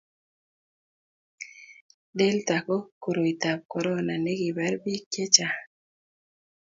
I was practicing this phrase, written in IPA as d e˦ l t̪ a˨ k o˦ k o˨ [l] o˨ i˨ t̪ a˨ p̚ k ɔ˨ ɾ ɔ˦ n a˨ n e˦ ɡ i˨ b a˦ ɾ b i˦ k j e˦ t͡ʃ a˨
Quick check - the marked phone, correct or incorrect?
incorrect